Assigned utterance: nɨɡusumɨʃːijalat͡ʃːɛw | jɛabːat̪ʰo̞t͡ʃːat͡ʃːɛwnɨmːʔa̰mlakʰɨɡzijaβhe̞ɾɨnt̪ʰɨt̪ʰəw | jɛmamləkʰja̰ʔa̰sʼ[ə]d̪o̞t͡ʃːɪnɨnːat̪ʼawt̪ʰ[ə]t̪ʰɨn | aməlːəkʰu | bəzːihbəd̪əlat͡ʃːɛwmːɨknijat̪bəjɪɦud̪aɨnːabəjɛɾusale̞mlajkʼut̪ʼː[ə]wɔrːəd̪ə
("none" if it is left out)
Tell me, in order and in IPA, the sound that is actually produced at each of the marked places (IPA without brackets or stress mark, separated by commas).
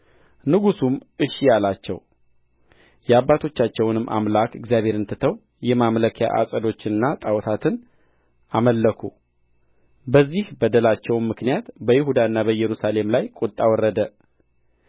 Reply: ə, a, a